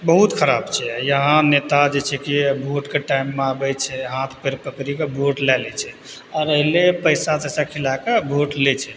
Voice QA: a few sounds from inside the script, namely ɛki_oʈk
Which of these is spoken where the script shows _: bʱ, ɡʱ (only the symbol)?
bʱ